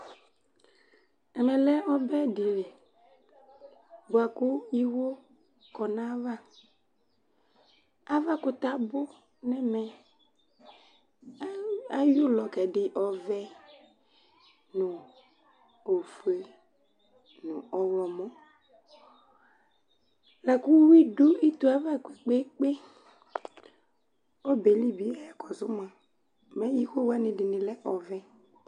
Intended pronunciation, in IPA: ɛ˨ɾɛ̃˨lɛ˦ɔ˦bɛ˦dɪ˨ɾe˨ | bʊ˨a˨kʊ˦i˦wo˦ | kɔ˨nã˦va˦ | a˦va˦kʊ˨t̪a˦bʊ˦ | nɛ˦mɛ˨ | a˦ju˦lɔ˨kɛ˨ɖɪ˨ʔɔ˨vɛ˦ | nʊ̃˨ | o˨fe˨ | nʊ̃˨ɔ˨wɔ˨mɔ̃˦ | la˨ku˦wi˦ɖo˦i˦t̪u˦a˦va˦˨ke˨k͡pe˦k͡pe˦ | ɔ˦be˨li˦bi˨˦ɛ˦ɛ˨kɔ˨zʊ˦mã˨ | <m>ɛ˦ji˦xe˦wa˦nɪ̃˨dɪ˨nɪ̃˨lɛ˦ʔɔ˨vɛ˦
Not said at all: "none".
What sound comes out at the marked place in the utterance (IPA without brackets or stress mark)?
m